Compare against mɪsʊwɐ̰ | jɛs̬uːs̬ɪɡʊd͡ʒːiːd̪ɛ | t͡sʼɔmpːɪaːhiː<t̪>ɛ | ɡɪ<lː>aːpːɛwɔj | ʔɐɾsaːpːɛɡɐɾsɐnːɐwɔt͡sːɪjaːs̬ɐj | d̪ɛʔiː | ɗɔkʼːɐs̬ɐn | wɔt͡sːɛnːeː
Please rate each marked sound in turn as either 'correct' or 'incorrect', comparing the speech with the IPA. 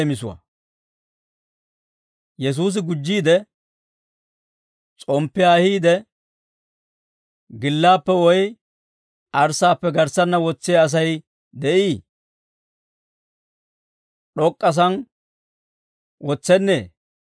incorrect, correct

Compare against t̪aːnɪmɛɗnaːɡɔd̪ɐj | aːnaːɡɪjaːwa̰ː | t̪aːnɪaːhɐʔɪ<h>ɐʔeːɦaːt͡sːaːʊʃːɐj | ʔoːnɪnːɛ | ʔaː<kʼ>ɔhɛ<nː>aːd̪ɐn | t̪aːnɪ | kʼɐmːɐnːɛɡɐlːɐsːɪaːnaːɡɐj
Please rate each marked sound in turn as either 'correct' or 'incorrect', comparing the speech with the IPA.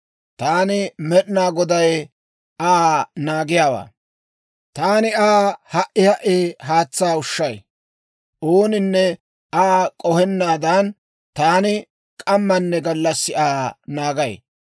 correct, correct, correct

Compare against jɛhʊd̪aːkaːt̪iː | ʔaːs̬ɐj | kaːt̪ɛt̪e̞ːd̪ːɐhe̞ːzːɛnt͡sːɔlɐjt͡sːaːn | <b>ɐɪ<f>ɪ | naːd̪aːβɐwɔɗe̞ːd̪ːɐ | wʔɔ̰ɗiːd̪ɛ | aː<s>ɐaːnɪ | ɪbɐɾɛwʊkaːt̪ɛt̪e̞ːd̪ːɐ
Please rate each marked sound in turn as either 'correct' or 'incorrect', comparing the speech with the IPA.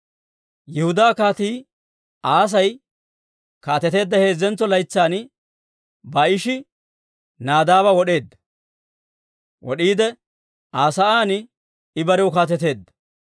correct, incorrect, correct

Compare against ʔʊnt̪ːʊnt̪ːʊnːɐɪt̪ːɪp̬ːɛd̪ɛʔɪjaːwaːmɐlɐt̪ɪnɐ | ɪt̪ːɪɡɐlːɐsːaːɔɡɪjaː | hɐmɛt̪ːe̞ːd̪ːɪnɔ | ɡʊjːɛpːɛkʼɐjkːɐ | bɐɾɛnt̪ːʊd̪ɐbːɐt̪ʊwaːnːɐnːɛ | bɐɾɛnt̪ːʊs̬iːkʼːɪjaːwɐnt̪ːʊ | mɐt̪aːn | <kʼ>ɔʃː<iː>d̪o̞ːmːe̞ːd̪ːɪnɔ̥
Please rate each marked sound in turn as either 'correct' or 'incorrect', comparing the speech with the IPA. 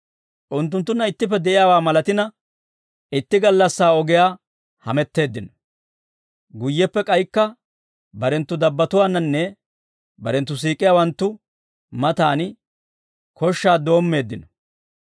incorrect, incorrect

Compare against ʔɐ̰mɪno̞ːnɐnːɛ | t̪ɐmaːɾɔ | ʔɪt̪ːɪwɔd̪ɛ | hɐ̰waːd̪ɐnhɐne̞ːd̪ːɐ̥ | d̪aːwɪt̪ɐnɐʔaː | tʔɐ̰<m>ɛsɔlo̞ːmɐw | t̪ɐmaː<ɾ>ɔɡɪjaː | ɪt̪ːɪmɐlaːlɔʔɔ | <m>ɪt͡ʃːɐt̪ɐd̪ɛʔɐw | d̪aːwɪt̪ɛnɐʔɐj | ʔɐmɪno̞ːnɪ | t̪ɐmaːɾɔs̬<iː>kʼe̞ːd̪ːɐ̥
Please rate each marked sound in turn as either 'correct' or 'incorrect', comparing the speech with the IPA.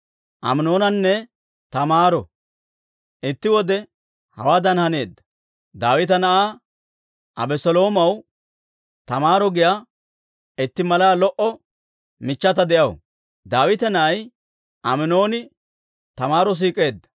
incorrect, correct, correct, correct

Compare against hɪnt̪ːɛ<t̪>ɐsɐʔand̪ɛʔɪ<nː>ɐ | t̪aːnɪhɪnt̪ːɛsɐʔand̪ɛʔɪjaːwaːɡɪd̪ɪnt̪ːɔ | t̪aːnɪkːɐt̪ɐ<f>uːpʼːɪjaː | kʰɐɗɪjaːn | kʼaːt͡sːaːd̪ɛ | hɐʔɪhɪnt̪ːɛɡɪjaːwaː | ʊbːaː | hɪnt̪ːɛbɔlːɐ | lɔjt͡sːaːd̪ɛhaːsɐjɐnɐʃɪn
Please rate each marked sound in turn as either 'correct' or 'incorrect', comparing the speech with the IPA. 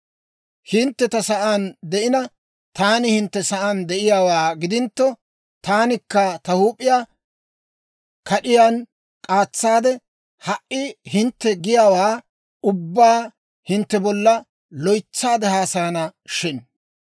correct, incorrect, incorrect

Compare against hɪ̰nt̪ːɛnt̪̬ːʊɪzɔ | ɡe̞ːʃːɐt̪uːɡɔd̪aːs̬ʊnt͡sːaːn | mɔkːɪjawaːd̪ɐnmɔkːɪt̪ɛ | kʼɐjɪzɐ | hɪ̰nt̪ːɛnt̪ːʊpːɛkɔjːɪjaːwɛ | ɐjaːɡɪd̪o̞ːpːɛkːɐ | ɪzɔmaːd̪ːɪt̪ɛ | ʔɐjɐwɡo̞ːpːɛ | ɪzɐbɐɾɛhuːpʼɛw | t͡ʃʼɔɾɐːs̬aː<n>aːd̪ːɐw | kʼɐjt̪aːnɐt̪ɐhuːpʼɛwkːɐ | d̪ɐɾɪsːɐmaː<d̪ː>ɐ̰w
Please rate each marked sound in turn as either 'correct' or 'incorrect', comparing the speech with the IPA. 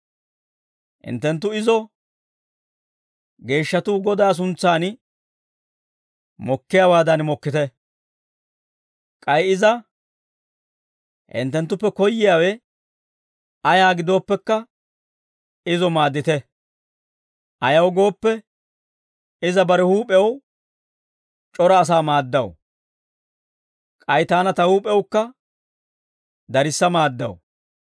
incorrect, correct

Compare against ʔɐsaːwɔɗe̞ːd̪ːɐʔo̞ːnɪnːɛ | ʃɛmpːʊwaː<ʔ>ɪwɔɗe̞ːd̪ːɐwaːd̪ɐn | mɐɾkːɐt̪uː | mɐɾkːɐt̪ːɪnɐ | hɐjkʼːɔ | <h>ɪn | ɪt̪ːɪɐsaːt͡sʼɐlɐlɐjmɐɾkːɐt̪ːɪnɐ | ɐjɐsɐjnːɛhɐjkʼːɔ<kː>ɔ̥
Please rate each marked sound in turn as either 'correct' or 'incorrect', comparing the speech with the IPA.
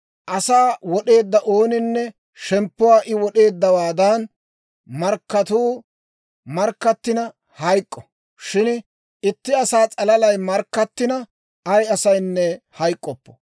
correct, incorrect, incorrect

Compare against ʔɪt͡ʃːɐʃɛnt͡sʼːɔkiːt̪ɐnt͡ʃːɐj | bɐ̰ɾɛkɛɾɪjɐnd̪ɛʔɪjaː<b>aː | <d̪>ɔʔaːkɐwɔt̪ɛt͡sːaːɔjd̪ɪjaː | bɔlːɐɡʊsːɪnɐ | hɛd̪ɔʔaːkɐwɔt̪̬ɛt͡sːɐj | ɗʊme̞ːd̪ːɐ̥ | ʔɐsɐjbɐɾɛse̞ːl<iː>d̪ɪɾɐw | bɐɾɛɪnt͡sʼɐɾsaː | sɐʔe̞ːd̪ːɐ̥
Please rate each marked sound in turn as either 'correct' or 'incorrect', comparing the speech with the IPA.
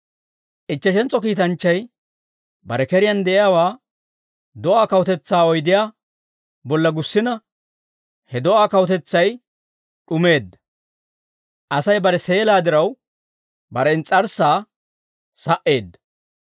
incorrect, correct, incorrect

